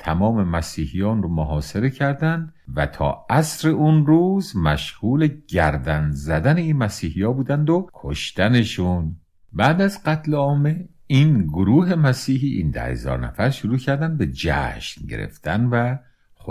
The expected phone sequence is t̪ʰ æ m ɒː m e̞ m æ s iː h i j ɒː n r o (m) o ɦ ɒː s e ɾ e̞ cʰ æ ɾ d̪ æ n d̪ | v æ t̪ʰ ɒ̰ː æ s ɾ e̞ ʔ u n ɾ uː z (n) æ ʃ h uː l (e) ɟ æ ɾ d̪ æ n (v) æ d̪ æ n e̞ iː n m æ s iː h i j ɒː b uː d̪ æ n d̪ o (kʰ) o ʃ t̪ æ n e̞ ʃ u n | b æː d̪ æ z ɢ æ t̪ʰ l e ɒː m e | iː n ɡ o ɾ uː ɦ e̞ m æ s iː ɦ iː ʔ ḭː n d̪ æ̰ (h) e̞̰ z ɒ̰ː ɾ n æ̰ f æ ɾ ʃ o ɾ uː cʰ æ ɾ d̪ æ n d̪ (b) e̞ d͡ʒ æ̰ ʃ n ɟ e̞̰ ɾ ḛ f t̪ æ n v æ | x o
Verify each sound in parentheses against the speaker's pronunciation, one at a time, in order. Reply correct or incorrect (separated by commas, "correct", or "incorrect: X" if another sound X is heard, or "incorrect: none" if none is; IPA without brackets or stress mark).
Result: correct, incorrect: m, correct, incorrect: z, correct, correct, correct